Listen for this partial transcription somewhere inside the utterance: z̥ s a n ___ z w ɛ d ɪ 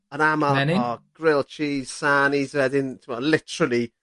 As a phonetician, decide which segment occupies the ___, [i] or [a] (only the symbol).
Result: i